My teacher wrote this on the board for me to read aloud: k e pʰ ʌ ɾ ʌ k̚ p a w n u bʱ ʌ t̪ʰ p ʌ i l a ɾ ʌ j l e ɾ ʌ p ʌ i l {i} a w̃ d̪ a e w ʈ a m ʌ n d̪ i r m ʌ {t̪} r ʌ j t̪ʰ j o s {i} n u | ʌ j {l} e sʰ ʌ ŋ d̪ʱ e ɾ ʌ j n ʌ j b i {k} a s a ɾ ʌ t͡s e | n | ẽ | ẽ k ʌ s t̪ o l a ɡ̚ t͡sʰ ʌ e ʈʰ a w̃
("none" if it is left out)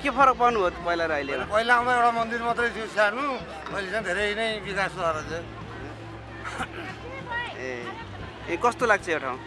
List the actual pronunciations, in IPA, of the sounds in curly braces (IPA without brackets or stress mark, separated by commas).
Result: a, t̪, a, l, k